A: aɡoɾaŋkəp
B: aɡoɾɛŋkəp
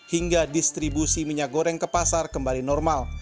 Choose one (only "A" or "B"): B